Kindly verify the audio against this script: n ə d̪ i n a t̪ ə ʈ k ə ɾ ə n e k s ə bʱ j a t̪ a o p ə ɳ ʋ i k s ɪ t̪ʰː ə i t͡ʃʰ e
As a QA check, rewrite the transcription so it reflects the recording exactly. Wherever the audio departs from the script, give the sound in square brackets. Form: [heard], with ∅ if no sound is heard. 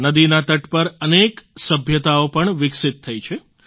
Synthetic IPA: n ə d̪ i n a t̪ ə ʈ [p] ə ɾ ə n e k s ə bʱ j [ə] t̪ a o p ə ɳ ʋ [ɪ] k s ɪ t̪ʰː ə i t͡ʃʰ e